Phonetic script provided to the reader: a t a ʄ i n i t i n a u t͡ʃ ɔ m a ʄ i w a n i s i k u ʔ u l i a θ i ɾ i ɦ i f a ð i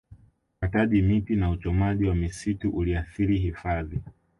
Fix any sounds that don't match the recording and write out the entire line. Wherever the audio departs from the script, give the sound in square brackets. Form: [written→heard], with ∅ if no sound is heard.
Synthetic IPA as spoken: a t a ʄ i [n→m] i t i n a u t͡ʃ ɔ m a ʄ i w a [n→m] i s i [k→t] u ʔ u l i a θ i ɾ i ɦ i f a ð i